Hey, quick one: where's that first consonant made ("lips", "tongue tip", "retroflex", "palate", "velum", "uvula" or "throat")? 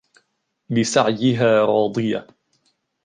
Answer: lips